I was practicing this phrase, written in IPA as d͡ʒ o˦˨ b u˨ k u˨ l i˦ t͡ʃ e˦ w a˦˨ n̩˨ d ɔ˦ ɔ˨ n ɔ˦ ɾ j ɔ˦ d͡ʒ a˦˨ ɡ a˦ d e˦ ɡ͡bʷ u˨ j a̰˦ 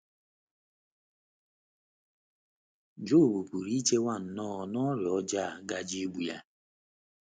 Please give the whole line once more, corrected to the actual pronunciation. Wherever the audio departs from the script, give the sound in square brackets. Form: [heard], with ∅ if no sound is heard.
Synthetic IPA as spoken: d͡ʒ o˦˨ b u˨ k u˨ [ɾ] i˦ t͡ʃ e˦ w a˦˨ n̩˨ [n] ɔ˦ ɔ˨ n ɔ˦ ɾ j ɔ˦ d͡ʒ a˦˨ ɡ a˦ [d͡ʒ] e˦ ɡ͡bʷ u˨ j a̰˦